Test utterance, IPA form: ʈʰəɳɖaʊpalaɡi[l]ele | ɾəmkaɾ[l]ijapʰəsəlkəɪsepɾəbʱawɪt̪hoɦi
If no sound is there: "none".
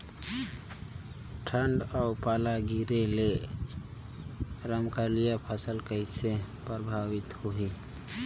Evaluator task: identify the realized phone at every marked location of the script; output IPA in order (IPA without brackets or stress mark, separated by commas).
ɾ, l